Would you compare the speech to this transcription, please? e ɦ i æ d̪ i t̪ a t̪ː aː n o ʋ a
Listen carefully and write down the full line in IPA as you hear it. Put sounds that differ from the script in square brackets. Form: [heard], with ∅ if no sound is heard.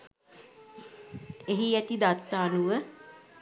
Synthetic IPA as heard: e ɦ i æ [t̪] i [d̪] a t̪ː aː n [u] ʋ [ə]